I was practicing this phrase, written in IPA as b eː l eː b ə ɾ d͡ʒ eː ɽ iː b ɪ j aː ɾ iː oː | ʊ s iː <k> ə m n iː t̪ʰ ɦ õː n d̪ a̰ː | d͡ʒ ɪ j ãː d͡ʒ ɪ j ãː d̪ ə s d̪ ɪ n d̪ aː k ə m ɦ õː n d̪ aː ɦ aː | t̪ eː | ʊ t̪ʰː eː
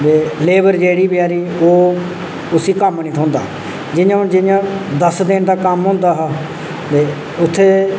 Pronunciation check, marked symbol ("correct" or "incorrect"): correct